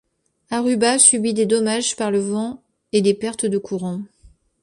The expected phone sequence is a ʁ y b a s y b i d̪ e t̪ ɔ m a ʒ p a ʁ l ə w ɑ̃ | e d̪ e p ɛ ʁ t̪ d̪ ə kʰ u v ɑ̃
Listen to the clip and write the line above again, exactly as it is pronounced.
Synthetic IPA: a ʁ y b a s y b i d̪ e d̪ ɔ m a ʒ p a ʁ l ə v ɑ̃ | e d̪ e p ɛ ʁ t̪ d̪ ə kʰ u ʁ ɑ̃